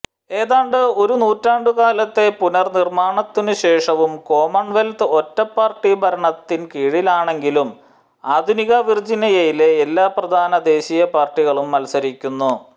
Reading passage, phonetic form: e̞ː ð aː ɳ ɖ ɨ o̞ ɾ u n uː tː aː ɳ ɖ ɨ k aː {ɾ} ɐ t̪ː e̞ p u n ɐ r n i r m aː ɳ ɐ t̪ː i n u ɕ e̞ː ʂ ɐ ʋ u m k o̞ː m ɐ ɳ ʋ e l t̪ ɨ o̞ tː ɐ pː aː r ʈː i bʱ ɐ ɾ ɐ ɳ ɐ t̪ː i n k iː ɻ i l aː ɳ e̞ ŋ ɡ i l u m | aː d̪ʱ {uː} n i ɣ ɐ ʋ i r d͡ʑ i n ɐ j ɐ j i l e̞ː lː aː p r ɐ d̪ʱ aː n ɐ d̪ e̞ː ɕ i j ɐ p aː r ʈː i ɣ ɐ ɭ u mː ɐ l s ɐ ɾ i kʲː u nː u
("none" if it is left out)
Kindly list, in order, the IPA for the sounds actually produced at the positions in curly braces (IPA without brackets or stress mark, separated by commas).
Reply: l, u